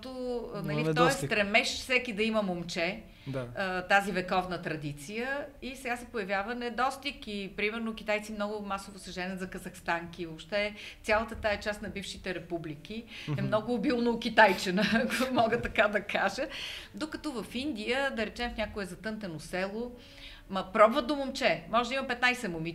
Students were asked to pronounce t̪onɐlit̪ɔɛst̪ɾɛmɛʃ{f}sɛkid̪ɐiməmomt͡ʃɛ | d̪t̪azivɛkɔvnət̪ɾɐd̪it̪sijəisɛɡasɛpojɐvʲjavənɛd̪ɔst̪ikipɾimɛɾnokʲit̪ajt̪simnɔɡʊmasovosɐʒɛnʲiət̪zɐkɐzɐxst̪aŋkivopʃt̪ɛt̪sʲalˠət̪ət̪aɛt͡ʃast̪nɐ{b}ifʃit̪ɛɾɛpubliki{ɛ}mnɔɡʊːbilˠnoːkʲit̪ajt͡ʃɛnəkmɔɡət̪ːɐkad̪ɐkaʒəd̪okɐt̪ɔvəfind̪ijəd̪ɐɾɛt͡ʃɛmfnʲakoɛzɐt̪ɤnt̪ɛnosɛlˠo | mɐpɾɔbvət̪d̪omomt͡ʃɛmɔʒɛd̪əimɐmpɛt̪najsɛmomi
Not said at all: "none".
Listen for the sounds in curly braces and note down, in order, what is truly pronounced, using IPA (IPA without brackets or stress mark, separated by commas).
f, b, ɛ